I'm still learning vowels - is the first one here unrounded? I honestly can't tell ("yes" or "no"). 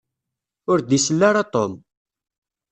no